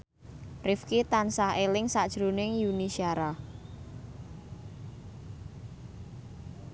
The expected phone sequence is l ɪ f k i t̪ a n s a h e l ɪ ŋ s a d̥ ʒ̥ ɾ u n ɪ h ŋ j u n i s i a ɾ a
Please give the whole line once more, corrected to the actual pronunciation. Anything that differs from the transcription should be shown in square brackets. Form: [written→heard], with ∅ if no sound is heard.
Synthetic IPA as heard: [l→r] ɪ f k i t̪ a n s a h e l ɪ ŋ s a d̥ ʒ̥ ɾ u n ɪ [h→∅] ŋ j u n i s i a ɾ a